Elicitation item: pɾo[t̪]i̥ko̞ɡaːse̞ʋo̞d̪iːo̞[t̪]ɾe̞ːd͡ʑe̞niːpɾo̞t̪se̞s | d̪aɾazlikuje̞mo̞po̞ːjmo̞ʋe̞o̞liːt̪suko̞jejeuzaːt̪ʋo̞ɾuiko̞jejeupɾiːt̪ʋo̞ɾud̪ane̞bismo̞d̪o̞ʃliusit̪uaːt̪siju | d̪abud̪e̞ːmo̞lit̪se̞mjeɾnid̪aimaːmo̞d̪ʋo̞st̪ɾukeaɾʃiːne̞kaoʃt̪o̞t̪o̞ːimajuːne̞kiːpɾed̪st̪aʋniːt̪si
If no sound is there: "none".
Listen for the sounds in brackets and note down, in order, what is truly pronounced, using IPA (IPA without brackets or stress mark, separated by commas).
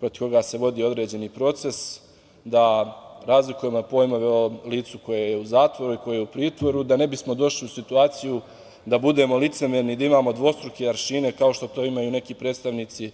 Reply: t̪, d̪